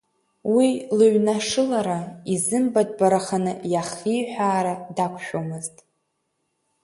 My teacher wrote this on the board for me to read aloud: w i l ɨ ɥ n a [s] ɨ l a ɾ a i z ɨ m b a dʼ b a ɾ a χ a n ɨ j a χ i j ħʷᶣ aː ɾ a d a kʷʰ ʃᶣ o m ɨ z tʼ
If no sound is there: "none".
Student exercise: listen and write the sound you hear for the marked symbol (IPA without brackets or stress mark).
ʂ